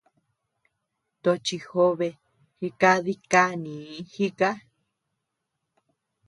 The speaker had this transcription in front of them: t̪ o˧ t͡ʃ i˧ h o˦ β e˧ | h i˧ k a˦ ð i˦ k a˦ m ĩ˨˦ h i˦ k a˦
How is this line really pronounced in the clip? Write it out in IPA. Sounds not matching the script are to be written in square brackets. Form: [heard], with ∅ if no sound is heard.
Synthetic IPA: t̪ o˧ t͡ʃ i˧ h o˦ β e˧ | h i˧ k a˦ ð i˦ k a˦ [n] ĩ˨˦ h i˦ k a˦